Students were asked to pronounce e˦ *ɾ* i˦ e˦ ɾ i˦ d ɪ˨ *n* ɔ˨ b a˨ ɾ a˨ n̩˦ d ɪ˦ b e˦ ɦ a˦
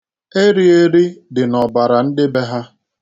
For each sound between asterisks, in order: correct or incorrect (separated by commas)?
correct, correct